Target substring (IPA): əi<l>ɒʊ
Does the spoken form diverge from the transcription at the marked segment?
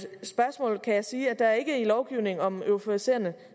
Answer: no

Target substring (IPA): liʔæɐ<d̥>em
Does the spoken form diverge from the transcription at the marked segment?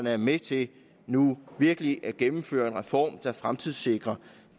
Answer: yes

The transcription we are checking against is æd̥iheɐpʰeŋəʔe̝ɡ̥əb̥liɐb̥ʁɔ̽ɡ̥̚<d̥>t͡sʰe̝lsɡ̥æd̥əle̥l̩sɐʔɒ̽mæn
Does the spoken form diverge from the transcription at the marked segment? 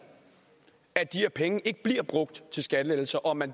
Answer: no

